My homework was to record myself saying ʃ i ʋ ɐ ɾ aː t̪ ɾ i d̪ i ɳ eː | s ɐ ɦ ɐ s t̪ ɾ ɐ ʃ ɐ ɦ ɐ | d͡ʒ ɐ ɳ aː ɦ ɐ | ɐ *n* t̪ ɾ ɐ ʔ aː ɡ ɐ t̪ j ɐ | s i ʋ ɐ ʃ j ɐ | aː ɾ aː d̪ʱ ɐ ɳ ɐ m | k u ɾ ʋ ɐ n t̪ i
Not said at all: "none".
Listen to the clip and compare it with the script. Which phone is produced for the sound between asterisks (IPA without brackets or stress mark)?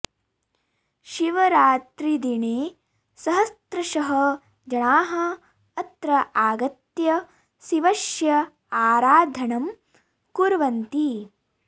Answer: none